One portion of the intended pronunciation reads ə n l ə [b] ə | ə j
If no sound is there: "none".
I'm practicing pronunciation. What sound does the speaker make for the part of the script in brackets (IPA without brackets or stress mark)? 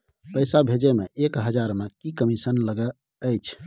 ɡ